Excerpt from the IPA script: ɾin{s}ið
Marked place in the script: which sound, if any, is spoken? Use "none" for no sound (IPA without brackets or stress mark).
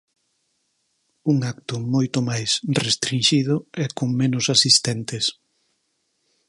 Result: ʃ